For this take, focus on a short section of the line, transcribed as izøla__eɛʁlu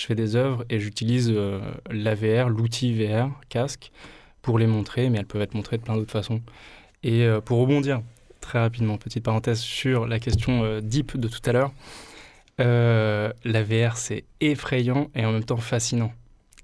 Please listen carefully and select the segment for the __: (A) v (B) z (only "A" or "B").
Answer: A